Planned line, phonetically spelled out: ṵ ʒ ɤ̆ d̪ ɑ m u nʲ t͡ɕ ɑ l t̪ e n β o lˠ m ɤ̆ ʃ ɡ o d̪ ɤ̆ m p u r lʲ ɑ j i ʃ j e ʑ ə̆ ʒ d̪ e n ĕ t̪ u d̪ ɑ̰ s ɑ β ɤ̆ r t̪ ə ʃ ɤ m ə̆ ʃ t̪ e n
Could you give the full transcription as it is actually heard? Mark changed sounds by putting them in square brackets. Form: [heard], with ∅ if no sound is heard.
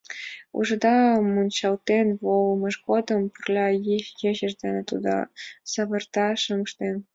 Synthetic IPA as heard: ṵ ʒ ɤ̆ d̪ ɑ m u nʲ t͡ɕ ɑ l t̪ e n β o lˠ m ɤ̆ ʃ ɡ o d̪ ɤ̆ m p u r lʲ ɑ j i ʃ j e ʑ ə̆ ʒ d̪ e n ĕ t̪ u d̪ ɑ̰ s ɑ β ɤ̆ r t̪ [ɑ] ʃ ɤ m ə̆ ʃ t̪ e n